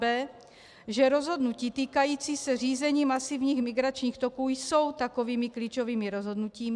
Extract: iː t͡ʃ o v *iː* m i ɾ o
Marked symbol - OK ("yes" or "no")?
yes